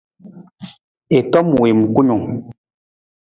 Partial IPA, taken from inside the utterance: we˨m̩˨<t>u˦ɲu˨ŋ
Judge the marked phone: incorrect: k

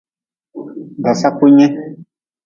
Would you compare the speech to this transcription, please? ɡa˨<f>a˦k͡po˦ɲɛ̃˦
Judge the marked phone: incorrect: s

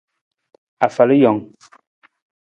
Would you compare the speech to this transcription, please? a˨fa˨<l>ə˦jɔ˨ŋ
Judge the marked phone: correct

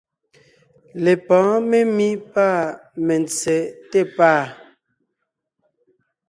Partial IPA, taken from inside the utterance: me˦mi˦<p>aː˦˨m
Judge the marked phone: correct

